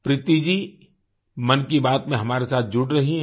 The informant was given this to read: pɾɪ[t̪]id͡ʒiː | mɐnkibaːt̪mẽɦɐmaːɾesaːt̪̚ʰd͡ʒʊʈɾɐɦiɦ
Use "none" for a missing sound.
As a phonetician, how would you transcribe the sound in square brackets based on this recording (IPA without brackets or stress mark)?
t̪